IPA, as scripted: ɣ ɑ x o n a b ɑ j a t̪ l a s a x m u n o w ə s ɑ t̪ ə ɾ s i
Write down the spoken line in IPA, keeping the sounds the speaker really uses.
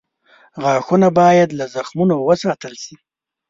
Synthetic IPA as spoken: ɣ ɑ x u n a b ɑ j a d̪ l a z a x m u n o w ə s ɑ t̪ ə l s i